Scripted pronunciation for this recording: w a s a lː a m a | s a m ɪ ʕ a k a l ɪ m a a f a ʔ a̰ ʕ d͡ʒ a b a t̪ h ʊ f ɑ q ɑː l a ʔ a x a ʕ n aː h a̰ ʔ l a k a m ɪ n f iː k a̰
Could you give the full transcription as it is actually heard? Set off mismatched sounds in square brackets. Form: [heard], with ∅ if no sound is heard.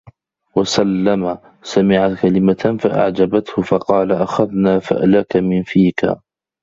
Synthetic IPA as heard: w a s a lː a m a | s a m ɪ ʕ a k a l ɪ m a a f a ʔ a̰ ʕ d͡ʒ a b a t̪ h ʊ f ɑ q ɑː l a ʔ a x a [ð] n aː [f] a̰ ʔ l a k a m ɪ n f iː k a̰